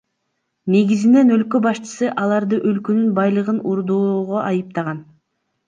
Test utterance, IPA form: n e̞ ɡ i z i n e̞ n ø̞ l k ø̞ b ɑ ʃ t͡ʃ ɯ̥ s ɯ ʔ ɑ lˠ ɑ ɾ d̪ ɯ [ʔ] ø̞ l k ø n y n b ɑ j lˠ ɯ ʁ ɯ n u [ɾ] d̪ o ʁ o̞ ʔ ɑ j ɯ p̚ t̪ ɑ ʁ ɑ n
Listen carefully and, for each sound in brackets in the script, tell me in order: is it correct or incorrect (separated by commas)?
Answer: correct, correct